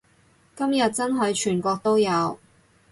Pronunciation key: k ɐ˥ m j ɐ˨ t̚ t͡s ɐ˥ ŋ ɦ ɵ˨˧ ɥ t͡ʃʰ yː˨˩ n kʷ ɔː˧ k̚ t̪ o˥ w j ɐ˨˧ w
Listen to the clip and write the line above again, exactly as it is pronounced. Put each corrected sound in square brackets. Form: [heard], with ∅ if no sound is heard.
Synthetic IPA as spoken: k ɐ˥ m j ɐ˨ t̚ t͡s ɐ˥ [n] ɦ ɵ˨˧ ɥ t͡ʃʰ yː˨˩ n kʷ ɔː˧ k̚ t̪ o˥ w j ɐ˨˧ w